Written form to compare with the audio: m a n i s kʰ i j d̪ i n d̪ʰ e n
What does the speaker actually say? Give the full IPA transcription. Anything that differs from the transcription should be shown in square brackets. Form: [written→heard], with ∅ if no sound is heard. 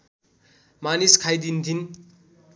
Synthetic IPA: m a n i s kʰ [i→a] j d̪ i n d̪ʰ [e→i] n